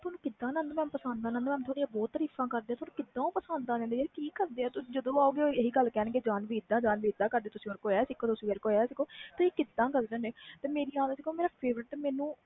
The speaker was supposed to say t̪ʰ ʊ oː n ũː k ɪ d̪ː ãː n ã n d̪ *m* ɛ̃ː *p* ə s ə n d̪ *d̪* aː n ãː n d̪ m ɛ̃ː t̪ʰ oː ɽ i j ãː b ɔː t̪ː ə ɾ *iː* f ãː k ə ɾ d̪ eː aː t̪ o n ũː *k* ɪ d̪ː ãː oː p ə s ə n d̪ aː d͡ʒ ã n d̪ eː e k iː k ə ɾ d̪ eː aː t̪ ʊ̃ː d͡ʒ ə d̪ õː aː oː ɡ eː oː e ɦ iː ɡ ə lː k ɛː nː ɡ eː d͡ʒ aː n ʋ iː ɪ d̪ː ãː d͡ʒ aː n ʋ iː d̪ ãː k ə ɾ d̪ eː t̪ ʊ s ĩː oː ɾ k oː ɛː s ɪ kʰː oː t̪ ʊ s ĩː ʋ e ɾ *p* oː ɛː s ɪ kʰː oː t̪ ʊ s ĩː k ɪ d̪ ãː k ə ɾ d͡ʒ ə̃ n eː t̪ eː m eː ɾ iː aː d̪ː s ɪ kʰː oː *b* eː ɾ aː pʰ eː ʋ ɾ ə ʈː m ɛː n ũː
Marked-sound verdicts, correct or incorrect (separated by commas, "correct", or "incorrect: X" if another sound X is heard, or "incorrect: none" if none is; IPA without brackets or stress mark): correct, correct, correct, correct, correct, incorrect: k, incorrect: m